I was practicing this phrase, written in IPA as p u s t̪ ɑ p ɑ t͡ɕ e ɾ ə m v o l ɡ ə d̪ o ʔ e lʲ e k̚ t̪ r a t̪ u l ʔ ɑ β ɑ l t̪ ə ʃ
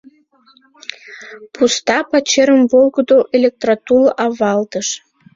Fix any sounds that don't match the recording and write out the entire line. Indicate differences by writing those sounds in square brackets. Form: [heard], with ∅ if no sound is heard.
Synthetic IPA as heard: p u s t̪ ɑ p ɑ t͡ɕ e ɾ ə m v o l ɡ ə d̪ o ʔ e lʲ e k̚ t̪ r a t̪ u l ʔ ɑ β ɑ l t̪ ə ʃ